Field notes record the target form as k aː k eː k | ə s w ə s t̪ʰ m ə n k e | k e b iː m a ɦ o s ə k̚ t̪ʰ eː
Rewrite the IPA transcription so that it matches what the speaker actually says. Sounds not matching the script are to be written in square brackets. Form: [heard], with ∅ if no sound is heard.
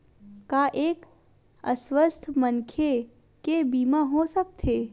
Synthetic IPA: k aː [ʔ] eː k | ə s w ə s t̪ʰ m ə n [kʰ] e | k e b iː m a ɦ o s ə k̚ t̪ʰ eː